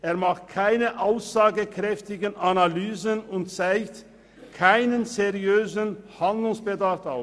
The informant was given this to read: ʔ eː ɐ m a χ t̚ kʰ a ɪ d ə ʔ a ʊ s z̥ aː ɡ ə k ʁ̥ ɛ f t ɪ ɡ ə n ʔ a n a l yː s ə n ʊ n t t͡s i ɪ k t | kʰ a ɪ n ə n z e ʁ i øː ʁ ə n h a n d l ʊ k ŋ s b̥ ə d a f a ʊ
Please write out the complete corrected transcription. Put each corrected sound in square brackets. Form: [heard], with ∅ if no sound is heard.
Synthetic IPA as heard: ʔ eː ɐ m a χ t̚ kʰ a ɪ [n] ə ʔ a ʊ s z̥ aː ɡ ə k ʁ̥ ɛ f t ɪ ɡ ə n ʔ a n a l yː [z] ə n ʊ n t t͡s [a] ɪ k t | kʰ a ɪ n ə n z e ʁ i øː [z] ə n h a n d l ʊ [∅] ŋ s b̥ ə d a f a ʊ